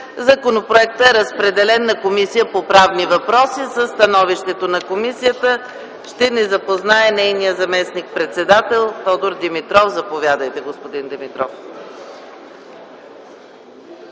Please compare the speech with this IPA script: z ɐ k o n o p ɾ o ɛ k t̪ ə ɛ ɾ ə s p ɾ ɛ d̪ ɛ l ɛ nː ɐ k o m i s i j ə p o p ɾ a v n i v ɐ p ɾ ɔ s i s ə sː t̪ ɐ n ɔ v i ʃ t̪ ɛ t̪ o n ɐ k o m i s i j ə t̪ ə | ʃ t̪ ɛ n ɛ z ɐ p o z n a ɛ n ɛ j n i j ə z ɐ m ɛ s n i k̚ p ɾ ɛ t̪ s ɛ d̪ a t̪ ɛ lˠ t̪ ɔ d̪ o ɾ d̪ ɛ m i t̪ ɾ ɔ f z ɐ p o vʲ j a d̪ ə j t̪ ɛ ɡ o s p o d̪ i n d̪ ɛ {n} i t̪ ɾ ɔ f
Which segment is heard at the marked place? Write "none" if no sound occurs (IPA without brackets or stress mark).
m